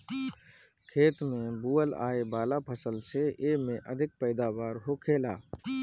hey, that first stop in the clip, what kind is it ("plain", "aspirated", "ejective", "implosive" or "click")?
aspirated